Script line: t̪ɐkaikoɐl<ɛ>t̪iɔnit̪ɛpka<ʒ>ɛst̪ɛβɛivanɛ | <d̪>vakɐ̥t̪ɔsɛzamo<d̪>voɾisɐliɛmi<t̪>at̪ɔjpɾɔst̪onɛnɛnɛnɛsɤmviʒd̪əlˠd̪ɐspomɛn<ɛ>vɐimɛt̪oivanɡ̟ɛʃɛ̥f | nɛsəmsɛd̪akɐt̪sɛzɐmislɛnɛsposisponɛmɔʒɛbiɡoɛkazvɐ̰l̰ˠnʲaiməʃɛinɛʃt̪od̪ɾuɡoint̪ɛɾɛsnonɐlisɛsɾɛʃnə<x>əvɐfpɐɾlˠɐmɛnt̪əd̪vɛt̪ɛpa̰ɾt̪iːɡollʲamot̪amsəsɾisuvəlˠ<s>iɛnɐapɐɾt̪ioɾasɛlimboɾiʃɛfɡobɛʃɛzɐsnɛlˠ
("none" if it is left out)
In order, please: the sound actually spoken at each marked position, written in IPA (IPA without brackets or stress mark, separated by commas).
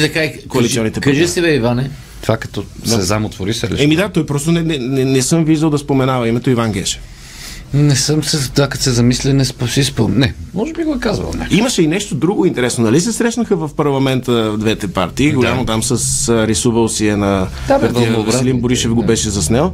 i, ʒ, t̪, t̪, d̪, a, x, s